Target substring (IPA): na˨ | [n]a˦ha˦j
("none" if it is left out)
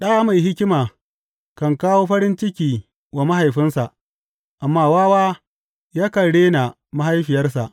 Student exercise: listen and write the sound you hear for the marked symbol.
m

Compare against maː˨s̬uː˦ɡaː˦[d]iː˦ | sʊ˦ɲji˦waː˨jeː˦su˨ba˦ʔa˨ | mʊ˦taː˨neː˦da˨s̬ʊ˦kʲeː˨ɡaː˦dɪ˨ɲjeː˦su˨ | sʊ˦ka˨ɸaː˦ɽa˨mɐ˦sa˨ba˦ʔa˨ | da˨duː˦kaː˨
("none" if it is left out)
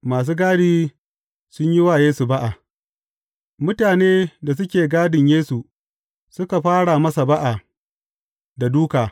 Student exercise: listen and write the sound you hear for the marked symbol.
d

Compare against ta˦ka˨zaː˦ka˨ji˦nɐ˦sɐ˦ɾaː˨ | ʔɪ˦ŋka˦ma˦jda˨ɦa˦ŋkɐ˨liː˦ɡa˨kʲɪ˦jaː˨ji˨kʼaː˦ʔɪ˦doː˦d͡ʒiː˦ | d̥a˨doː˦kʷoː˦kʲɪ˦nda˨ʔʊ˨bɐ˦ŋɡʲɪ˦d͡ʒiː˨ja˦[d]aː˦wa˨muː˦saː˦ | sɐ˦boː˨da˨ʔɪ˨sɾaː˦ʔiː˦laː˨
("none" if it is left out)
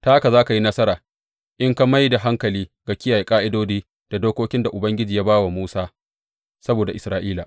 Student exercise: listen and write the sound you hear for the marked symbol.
b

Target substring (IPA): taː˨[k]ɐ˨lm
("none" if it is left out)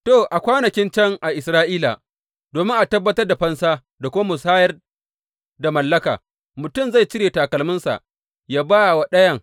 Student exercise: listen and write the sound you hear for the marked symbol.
k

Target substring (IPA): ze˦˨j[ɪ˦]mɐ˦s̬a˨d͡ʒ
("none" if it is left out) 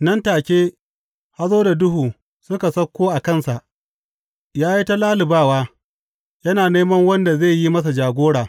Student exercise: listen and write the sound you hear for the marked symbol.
i˦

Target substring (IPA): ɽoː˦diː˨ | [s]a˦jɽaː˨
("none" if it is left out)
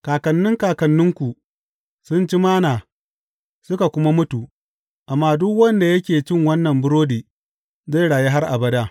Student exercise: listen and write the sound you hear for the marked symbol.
z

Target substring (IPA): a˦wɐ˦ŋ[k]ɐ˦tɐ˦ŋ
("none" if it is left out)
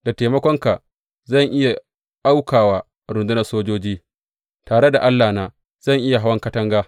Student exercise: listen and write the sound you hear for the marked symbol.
k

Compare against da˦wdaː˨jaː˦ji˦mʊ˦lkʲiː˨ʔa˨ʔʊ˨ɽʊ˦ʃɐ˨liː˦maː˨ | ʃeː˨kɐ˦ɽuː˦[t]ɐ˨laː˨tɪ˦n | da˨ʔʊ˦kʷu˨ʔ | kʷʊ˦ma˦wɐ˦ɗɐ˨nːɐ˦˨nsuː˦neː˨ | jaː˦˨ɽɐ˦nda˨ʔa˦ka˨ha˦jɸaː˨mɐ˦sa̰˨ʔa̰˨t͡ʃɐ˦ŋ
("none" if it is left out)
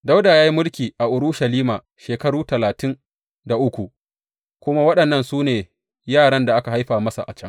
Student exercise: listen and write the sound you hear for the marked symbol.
t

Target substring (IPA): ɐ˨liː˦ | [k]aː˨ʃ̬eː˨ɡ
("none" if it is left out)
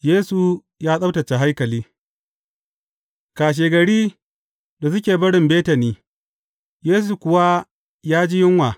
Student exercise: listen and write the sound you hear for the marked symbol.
k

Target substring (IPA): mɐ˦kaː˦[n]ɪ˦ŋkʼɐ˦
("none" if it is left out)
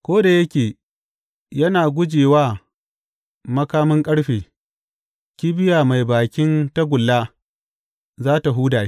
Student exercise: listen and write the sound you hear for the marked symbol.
m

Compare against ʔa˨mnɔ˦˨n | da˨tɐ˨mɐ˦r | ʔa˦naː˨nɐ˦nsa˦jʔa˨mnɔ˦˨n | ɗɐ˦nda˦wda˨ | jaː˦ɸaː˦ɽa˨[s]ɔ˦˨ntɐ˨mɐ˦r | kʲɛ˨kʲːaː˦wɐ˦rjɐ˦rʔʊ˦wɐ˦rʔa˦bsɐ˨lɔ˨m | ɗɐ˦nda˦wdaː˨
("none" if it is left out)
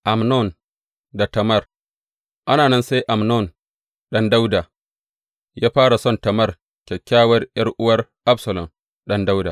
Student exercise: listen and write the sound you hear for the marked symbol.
s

